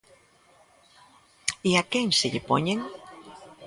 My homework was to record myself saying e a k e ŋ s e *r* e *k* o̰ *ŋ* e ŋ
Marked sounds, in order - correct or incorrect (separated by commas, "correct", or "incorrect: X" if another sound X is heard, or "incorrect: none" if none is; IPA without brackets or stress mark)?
incorrect: ʎ, incorrect: p, incorrect: ɲ